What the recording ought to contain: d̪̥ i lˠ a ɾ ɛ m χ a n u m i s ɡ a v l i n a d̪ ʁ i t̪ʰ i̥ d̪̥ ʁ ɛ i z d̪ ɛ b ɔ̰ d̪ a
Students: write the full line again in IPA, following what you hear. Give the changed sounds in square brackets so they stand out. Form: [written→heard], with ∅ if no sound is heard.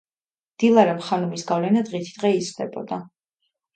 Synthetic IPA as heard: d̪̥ i lˠ a ɾ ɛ m χ a n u m i s ɡ a v l [i→ɛ] n a d̪ ʁ i t̪ʰ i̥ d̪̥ ʁ ɛ i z d̪ ɛ b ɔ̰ d̪ a